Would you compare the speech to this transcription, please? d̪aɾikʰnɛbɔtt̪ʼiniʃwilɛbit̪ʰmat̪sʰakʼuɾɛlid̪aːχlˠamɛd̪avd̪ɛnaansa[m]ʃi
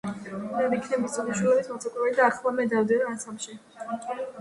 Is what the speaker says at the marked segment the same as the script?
yes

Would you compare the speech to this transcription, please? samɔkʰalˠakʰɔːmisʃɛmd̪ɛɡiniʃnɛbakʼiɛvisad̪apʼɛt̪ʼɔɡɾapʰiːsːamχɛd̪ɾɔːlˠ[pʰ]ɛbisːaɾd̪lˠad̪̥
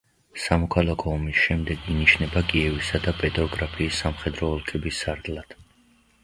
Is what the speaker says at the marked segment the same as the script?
no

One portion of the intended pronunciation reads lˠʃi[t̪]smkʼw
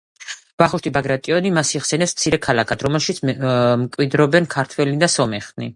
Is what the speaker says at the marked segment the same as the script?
yes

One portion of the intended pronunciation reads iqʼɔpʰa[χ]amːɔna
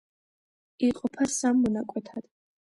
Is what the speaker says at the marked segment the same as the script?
no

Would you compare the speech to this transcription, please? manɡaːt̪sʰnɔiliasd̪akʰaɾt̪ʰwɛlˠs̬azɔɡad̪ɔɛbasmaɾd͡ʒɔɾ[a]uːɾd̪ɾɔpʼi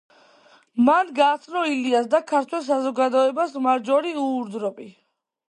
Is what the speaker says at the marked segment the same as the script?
no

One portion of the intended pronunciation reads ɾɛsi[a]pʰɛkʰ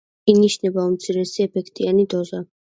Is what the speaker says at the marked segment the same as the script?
no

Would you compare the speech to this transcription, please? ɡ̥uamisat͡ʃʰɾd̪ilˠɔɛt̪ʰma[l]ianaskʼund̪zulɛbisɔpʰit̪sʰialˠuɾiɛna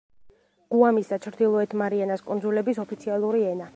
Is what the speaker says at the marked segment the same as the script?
no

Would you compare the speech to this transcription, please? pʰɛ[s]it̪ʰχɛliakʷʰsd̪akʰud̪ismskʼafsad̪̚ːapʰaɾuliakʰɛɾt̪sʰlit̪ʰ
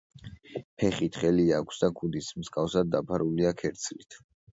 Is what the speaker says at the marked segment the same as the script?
no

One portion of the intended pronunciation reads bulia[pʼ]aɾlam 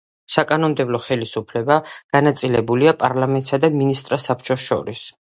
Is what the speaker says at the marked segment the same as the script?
yes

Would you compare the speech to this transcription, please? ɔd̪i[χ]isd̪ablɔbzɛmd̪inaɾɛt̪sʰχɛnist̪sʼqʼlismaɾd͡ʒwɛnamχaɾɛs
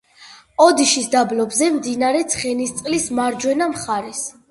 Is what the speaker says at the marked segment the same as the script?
no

